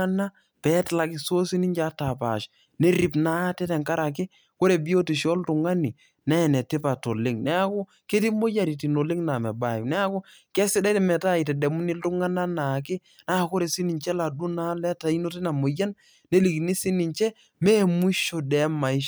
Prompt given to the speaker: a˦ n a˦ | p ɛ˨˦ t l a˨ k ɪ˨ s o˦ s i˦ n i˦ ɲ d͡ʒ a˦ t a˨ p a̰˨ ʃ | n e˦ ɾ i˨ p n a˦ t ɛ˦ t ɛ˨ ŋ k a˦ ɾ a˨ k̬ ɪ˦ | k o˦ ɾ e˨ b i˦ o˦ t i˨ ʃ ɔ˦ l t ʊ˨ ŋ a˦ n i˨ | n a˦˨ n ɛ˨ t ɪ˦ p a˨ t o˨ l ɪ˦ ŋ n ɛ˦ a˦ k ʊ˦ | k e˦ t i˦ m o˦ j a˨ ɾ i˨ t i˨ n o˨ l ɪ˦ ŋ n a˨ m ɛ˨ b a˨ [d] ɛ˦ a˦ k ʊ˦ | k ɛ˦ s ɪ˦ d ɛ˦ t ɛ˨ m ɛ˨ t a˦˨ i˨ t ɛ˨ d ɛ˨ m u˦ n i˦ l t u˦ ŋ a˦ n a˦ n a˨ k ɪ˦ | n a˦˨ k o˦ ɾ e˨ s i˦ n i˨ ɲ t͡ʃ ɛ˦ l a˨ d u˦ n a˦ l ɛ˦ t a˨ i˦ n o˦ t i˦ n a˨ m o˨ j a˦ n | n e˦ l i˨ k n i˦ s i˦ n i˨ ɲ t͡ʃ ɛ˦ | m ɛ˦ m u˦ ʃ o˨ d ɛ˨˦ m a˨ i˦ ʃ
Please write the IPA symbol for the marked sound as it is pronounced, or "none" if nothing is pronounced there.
n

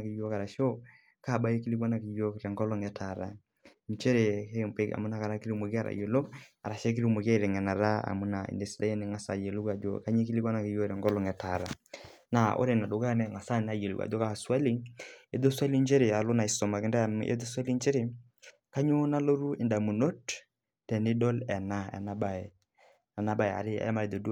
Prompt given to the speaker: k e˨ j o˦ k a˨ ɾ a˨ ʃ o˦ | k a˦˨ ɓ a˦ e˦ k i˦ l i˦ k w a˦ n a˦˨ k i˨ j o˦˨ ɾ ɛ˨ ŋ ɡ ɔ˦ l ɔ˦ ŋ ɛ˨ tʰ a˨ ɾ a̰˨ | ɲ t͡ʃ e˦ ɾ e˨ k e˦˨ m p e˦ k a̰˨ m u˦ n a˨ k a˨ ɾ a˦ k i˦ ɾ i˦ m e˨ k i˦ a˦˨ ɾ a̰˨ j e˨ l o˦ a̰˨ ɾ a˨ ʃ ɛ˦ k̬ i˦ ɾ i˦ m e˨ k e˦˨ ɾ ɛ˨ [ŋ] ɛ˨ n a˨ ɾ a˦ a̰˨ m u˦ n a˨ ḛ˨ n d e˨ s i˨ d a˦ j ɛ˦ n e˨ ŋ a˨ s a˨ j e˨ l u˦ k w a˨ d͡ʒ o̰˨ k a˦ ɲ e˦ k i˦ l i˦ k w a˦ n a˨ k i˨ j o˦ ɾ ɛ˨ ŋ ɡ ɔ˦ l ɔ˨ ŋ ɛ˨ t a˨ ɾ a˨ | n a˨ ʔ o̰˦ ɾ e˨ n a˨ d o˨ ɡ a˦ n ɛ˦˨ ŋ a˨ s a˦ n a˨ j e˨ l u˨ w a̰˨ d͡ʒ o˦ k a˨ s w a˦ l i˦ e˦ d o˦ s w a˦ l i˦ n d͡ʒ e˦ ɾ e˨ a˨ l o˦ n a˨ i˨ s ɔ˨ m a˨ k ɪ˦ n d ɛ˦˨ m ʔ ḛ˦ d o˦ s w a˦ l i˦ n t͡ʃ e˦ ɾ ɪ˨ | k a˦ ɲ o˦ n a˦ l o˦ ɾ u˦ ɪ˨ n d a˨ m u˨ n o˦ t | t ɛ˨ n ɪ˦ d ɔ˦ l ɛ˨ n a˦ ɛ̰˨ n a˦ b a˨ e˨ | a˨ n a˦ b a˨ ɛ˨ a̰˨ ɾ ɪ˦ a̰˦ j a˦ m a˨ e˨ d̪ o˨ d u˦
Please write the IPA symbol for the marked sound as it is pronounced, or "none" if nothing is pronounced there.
ŋ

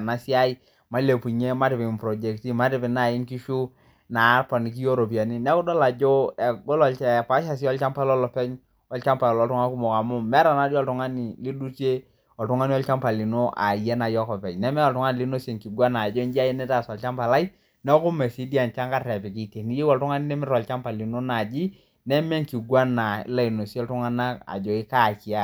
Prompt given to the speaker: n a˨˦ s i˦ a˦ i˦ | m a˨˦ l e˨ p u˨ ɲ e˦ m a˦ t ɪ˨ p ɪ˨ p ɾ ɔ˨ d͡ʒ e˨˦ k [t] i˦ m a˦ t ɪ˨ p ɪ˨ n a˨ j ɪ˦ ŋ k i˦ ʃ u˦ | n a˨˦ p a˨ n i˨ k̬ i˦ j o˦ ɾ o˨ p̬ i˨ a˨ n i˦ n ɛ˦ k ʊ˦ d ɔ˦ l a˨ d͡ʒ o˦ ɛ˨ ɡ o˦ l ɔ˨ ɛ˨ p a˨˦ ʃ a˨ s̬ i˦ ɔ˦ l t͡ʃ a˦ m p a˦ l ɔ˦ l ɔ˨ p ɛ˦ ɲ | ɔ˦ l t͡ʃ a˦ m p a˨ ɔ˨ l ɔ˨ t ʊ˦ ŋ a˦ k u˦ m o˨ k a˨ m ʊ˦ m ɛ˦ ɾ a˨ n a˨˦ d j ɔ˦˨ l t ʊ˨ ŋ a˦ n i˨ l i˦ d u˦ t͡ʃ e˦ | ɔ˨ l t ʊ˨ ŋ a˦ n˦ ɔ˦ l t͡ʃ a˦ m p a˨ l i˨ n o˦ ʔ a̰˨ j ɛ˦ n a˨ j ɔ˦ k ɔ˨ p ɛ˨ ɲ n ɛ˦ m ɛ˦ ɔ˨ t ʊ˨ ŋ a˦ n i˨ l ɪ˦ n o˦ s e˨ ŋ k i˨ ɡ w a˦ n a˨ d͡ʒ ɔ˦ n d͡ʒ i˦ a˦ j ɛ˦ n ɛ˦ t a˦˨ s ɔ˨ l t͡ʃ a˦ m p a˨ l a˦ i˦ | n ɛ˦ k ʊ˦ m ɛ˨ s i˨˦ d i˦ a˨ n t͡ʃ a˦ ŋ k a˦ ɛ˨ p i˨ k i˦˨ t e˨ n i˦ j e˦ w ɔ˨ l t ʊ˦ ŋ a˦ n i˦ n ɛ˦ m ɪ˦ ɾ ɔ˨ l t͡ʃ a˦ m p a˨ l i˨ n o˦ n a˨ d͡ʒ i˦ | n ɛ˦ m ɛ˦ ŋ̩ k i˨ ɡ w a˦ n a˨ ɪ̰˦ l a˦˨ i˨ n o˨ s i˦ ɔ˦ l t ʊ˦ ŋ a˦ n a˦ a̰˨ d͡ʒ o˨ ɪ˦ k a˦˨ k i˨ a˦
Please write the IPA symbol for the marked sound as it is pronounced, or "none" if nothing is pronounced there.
t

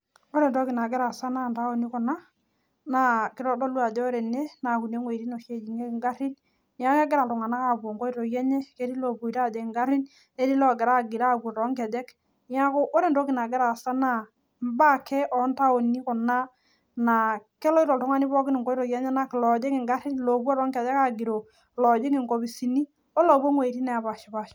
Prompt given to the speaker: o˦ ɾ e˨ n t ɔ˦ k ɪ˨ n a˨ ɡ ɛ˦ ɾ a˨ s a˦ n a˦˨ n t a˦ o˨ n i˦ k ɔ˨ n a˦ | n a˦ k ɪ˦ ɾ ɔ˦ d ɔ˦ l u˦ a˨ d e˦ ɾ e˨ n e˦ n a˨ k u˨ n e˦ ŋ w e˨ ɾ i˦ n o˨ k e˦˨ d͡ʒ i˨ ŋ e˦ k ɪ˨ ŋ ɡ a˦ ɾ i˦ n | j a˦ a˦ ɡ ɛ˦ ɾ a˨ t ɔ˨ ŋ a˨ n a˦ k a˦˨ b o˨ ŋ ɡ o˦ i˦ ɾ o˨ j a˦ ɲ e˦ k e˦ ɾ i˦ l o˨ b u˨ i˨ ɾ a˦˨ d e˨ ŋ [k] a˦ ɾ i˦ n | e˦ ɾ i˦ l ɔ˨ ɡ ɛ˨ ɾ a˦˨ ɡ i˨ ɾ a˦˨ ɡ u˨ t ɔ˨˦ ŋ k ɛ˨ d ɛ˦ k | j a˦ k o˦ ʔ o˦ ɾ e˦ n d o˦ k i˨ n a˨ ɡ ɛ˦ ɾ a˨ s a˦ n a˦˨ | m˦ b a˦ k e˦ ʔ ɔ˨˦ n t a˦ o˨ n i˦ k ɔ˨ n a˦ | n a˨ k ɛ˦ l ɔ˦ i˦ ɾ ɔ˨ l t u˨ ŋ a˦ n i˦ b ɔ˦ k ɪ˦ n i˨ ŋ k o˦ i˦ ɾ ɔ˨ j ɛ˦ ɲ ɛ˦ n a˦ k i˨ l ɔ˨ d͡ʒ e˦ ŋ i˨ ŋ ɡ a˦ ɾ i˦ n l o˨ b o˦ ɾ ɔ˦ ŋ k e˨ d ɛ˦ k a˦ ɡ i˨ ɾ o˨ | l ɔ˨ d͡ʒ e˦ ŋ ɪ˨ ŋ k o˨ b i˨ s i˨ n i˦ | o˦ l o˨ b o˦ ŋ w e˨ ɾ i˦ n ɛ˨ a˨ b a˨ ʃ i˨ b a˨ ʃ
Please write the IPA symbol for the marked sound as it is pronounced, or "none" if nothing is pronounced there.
ɡ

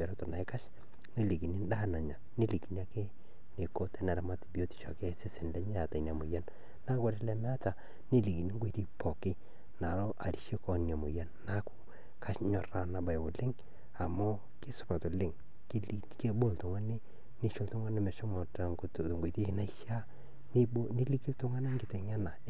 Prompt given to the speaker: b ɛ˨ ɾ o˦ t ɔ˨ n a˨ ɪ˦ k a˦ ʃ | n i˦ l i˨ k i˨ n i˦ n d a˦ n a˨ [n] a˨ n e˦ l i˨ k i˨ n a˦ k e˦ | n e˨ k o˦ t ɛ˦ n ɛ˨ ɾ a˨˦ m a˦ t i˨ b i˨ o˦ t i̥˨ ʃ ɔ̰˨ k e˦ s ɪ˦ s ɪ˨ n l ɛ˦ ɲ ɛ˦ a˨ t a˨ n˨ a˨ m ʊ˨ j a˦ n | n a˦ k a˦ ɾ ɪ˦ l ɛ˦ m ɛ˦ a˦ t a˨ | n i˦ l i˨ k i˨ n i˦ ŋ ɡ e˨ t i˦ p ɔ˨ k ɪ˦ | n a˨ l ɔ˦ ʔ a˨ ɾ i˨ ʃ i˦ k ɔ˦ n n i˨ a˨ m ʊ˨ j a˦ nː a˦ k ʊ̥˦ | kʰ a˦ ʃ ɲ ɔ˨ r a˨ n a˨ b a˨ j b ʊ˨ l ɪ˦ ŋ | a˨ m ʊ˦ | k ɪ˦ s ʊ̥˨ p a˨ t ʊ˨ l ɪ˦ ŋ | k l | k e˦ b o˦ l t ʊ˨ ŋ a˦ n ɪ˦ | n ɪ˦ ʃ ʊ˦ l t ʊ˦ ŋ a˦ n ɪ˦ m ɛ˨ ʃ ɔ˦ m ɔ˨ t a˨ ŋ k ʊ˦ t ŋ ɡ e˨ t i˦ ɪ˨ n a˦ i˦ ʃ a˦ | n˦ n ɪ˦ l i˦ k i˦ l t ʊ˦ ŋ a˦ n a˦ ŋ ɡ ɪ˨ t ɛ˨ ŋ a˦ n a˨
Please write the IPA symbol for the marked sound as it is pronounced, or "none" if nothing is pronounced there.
ɲ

